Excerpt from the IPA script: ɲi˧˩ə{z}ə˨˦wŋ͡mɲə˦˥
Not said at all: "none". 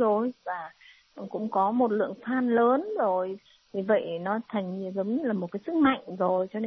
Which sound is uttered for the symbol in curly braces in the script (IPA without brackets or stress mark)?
z